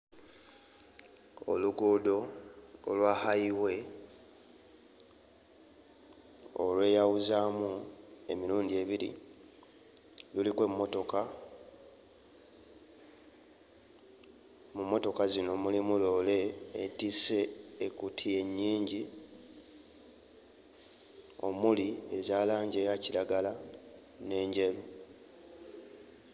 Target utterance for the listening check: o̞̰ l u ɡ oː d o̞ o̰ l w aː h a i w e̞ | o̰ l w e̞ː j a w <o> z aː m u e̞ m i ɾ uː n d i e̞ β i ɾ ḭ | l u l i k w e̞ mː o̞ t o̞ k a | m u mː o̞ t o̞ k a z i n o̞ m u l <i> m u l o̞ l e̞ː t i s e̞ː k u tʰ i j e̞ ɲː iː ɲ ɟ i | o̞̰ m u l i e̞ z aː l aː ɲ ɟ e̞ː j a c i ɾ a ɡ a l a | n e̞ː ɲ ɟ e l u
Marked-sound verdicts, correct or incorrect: incorrect: u, correct

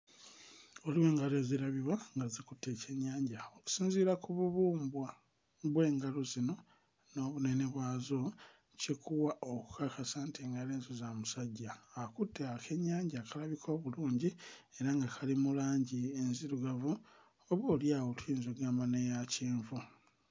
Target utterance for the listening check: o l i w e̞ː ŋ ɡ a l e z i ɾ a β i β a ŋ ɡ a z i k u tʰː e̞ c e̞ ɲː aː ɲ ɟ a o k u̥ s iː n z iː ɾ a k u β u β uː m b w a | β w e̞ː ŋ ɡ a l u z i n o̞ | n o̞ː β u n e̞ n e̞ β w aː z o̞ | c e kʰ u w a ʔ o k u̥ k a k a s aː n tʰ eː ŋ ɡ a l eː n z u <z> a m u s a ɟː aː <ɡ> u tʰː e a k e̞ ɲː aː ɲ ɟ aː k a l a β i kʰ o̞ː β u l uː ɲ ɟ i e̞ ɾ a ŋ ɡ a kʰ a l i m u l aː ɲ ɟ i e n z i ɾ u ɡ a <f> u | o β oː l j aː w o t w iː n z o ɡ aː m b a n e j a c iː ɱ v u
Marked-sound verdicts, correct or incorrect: correct, incorrect: k, incorrect: v

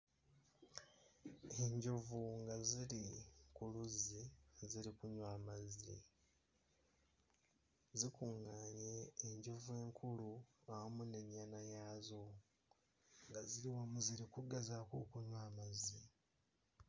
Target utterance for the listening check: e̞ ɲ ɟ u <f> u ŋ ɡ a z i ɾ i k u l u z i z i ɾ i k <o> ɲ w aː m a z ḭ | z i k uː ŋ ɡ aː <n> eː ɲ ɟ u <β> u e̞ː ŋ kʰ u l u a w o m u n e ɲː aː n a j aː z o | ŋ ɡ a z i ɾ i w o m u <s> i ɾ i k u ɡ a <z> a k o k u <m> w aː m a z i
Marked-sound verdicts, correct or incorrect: incorrect: v, incorrect: u, incorrect: ɲ, incorrect: v, incorrect: z, correct, incorrect: ɲ

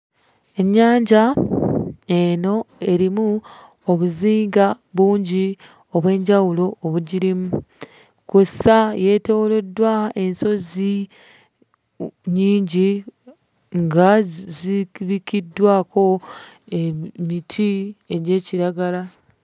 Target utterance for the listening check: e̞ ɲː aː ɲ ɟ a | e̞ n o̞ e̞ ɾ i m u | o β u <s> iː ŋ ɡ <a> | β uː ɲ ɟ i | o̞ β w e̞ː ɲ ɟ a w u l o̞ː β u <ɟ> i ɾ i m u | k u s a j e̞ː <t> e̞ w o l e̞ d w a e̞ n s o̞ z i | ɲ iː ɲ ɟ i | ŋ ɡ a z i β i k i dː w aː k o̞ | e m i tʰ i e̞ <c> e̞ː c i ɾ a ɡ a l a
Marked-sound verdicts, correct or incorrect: incorrect: z, correct, correct, correct, incorrect: ɟ

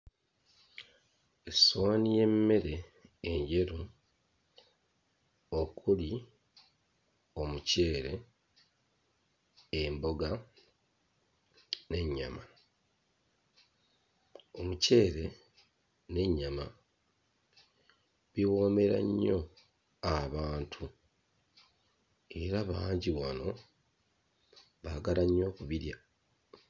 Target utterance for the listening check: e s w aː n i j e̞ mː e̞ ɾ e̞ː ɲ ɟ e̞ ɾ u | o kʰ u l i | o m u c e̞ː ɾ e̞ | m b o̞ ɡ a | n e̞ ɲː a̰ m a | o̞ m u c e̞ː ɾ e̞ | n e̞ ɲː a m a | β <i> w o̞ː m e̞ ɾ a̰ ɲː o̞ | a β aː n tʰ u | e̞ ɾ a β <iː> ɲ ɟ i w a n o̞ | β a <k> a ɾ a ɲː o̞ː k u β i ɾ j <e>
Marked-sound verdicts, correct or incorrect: correct, incorrect: aː, incorrect: ɡ, incorrect: a

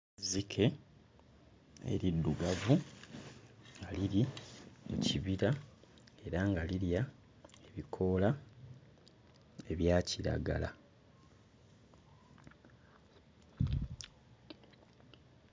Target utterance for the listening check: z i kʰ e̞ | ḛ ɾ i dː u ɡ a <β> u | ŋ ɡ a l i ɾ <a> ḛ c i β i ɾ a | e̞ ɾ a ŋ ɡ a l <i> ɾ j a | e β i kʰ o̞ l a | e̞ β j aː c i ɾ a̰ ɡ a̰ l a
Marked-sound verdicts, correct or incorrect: incorrect: v, incorrect: i, correct

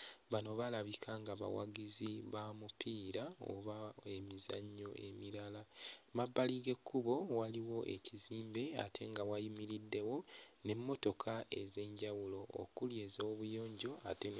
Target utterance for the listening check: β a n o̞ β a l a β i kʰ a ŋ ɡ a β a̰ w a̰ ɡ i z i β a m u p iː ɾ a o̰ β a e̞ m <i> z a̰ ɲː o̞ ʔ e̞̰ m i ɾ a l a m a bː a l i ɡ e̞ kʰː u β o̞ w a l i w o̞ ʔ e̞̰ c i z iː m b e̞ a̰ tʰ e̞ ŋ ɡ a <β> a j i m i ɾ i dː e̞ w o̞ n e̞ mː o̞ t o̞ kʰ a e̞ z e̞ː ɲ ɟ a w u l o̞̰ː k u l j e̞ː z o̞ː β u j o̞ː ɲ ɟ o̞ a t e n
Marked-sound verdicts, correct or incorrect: correct, incorrect: w

